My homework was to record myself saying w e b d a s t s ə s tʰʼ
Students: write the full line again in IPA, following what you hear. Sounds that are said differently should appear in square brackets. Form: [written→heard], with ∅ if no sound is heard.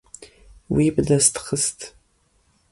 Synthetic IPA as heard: w [e→i] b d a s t [s→χ] ə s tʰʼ